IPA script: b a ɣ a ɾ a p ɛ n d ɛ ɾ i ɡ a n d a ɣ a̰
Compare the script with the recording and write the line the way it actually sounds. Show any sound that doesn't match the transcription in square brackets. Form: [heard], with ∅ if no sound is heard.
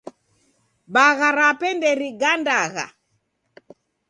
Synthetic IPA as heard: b a ɣ a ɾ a p ɛ n d ɛ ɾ i ɡ a n d a ɣ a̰